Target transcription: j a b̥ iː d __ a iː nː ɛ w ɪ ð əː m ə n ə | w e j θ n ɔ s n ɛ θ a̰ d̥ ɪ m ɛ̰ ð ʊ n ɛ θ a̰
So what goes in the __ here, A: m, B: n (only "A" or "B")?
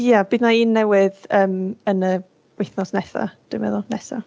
B